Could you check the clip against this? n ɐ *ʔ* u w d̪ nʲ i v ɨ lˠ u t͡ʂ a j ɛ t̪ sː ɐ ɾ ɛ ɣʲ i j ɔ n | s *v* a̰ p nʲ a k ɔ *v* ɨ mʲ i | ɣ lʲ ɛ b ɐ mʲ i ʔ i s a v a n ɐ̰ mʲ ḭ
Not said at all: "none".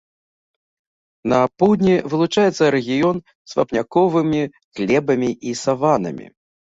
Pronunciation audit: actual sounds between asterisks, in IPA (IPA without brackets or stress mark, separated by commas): p, v, v